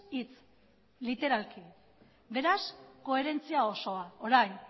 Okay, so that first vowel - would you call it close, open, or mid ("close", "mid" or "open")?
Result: close